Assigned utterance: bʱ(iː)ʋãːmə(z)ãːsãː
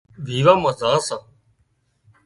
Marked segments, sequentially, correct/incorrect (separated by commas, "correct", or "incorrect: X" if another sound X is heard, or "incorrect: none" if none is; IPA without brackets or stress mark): correct, correct